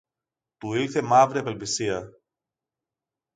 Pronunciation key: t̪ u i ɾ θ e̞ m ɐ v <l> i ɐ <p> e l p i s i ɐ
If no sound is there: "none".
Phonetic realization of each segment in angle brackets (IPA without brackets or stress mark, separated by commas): ɾ, p